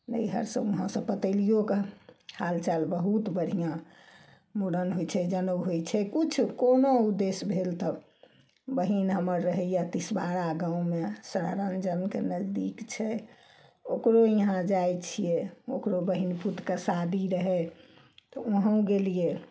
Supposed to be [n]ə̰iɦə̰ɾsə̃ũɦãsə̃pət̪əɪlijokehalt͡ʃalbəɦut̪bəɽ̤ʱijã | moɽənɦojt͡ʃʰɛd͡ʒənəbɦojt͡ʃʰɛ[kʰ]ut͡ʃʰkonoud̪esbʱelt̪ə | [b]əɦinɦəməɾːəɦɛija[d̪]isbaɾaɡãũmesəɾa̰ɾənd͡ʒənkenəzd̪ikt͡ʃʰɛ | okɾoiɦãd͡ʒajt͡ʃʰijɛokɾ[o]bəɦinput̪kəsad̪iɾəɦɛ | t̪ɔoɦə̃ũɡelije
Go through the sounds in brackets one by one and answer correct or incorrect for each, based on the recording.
correct, incorrect: k, correct, incorrect: t̪, correct

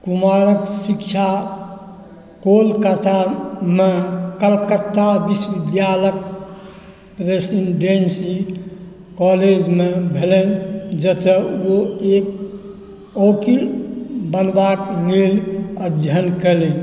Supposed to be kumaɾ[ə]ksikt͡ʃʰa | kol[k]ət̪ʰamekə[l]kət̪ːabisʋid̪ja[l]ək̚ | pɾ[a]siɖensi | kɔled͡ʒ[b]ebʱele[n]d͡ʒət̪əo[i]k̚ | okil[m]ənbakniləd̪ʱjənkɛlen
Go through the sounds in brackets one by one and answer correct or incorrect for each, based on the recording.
correct, correct, correct, correct, incorrect: e, incorrect: m, correct, incorrect: e, incorrect: b

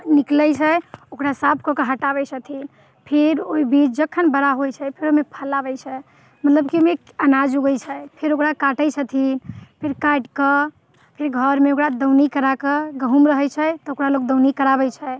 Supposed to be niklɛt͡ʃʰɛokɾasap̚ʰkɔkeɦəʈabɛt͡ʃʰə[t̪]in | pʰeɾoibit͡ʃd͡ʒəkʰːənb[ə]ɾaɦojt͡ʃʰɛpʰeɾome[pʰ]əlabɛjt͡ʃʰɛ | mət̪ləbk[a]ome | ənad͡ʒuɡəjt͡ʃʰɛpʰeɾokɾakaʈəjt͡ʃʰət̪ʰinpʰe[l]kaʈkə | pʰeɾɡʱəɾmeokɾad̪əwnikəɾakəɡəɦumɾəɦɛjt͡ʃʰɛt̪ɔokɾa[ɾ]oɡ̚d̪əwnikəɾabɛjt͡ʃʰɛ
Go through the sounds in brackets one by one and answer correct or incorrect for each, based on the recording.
incorrect: t̪ʰ, correct, correct, incorrect: i, incorrect: ɾ, incorrect: l

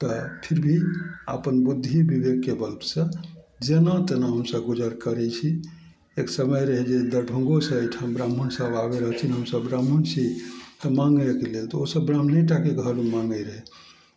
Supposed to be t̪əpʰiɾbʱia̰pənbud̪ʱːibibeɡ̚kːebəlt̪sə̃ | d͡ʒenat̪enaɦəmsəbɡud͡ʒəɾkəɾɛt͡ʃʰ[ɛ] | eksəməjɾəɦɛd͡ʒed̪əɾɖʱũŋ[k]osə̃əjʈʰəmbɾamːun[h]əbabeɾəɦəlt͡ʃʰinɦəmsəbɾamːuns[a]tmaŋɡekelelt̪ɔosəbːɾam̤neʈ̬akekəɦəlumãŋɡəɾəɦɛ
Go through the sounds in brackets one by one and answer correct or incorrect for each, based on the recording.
incorrect: i, incorrect: ɡ, incorrect: s, incorrect: i

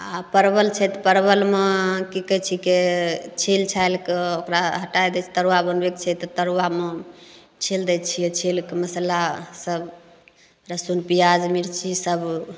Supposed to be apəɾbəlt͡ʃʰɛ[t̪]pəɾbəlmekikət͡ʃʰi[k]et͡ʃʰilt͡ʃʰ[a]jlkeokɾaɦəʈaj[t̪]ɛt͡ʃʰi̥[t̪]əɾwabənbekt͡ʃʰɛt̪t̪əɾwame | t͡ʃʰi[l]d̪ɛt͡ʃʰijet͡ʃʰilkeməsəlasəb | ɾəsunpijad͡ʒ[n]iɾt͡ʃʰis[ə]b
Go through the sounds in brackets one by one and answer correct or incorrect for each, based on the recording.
correct, correct, correct, incorrect: d̪, correct, correct, incorrect: m, correct

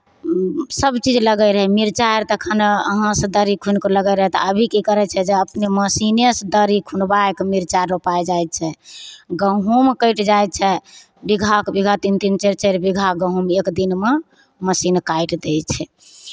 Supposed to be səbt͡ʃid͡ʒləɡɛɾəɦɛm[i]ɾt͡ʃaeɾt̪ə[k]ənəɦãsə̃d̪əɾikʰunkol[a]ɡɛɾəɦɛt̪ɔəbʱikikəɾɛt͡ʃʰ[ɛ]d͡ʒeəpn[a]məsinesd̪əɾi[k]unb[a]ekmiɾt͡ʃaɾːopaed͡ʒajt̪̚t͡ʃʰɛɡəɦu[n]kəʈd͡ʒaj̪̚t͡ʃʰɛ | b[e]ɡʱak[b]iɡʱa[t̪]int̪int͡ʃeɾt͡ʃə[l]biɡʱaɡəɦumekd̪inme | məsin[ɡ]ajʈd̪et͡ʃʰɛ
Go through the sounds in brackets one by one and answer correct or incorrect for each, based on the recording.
correct, incorrect: kʰ, incorrect: ə, correct, incorrect: e, incorrect: kʰ, correct, incorrect: m, incorrect: i, correct, correct, incorrect: ɾ, incorrect: k

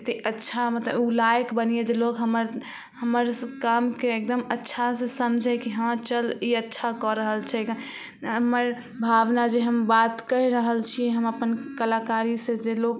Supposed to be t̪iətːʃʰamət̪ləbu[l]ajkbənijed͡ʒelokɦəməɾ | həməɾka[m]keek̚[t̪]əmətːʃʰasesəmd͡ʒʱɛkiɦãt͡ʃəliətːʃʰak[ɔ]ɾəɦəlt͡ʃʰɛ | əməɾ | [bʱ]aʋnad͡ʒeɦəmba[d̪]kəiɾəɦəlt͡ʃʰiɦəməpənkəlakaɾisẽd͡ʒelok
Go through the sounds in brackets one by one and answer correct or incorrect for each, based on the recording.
correct, correct, incorrect: d̪, correct, correct, incorrect: t̪

